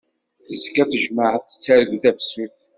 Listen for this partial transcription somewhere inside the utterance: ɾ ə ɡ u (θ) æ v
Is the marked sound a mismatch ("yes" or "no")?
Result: no